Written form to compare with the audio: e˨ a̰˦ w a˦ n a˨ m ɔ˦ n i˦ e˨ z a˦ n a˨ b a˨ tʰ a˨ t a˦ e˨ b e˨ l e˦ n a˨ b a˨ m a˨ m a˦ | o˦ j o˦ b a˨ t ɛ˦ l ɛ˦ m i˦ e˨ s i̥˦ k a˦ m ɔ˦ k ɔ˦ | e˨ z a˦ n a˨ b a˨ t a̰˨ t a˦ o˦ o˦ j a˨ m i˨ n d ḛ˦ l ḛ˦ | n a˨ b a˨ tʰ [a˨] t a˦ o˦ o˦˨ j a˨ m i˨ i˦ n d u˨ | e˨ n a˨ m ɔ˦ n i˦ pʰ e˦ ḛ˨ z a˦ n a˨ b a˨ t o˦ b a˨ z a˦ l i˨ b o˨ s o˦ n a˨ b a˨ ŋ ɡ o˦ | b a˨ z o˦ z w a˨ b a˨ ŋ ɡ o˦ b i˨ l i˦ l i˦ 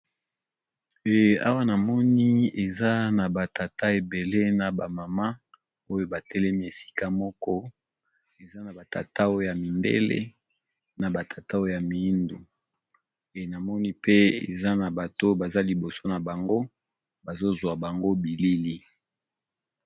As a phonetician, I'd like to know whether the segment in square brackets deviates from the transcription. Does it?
no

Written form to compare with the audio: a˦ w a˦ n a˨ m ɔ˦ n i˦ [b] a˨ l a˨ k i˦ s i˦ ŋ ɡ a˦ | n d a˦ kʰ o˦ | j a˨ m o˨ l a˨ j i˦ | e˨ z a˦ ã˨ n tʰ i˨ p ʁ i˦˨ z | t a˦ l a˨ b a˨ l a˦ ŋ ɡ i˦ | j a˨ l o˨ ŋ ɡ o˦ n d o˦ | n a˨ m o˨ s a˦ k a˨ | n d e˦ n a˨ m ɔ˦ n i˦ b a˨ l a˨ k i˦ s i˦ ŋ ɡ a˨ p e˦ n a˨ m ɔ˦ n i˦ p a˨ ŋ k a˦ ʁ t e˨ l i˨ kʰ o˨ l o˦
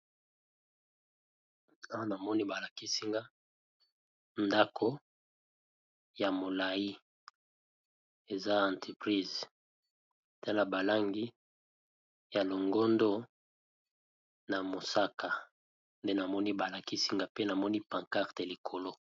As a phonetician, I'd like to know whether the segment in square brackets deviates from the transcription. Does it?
no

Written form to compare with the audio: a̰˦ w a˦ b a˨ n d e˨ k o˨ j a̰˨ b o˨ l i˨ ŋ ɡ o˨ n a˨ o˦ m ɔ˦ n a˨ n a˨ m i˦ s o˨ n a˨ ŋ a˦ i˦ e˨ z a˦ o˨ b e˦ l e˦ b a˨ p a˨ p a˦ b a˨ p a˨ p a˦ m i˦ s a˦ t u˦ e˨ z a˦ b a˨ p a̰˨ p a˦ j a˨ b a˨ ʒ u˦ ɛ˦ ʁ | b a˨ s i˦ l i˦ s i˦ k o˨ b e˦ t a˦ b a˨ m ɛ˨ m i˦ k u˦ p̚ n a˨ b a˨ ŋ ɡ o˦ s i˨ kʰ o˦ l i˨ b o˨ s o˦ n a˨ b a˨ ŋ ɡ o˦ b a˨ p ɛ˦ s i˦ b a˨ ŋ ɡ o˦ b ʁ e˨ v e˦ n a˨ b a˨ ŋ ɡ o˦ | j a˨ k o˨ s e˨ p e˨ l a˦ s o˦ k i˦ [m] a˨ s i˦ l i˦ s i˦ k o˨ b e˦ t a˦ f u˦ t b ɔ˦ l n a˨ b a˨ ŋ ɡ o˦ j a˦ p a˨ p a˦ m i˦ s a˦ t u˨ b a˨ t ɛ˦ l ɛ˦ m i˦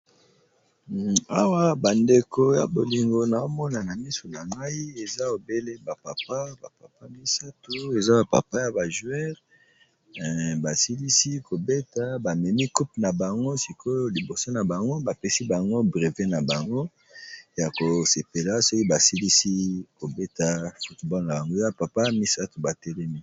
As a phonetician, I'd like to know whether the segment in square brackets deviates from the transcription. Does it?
yes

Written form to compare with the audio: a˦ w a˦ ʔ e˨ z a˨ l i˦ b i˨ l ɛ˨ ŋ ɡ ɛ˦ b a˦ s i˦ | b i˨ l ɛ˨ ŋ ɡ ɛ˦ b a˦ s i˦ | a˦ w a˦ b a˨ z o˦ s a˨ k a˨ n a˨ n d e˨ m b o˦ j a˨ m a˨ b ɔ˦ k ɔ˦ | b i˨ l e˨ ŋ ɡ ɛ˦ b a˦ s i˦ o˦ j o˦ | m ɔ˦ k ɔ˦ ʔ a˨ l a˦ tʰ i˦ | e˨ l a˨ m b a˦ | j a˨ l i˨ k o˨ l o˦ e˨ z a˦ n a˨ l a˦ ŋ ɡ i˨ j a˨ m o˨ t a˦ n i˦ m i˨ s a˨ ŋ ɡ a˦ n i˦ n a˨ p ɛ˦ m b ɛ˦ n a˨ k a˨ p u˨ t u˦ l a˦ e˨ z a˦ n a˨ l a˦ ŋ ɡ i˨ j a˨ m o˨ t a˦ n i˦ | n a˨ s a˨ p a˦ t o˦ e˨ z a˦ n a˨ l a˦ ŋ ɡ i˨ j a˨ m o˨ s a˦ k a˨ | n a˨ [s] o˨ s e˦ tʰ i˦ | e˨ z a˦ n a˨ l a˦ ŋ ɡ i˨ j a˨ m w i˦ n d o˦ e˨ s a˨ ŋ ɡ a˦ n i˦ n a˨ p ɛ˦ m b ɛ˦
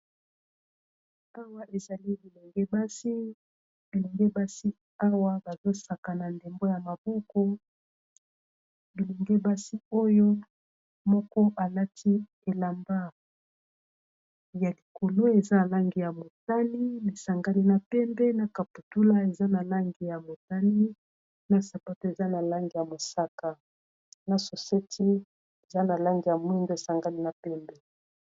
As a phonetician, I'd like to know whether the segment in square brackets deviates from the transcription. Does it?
no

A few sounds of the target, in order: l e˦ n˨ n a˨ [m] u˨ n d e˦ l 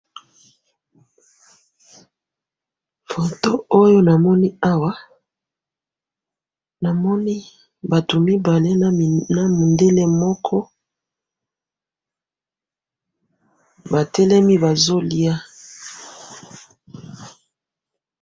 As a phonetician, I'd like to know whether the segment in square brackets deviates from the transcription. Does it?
no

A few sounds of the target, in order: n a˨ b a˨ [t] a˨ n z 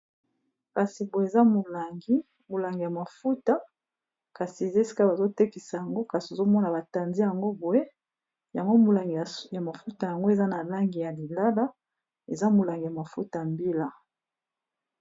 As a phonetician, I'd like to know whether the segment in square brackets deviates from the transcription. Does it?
no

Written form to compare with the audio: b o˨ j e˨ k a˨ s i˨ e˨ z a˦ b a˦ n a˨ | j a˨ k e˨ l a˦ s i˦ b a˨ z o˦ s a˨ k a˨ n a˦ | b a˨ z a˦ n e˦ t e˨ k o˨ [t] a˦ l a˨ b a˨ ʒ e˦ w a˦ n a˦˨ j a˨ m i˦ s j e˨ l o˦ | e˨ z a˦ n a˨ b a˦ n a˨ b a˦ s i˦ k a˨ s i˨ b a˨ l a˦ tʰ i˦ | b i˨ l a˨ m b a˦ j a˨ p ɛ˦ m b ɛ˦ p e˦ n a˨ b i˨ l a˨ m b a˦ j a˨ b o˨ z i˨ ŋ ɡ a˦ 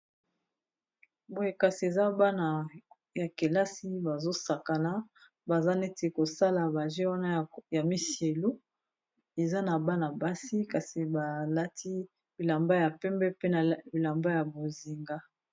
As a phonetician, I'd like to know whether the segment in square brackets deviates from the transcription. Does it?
yes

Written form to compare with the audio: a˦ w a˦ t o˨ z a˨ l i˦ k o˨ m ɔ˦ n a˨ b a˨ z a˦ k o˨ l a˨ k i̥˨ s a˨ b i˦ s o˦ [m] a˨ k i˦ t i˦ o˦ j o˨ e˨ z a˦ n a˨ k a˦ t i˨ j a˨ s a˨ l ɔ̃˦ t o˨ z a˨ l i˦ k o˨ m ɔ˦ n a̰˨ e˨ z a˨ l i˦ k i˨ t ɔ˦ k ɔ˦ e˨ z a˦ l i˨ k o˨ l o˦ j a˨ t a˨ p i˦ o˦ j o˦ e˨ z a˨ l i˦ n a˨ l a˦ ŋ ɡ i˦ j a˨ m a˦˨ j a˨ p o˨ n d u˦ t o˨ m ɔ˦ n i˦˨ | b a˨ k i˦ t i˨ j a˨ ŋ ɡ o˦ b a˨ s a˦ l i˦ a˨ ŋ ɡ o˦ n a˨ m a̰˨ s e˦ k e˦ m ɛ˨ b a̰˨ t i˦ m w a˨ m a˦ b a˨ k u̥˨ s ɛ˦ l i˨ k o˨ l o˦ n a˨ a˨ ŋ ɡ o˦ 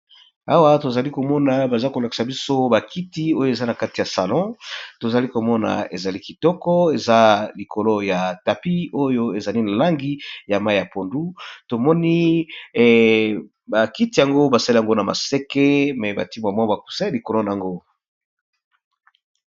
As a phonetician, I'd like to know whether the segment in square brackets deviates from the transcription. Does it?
yes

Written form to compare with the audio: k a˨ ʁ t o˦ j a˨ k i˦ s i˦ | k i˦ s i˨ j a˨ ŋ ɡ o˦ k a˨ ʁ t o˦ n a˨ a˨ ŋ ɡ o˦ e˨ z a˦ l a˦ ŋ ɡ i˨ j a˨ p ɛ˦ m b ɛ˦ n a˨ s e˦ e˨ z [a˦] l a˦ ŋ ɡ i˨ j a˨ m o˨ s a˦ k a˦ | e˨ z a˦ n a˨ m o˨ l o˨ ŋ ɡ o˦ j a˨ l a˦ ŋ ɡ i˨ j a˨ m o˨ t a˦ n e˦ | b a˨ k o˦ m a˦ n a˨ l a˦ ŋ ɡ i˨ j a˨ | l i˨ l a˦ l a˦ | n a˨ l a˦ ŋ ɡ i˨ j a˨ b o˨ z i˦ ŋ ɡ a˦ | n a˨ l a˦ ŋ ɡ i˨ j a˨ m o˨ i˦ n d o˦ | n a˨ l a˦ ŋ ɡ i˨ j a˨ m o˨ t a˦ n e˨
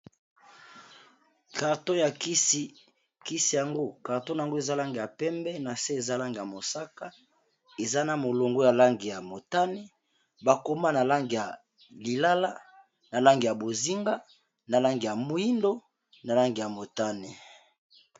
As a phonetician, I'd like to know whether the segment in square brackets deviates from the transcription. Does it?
no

